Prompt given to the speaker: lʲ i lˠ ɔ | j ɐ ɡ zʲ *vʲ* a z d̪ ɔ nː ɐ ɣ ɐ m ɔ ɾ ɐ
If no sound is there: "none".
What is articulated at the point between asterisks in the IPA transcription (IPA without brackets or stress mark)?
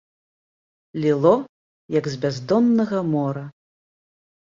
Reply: bʲ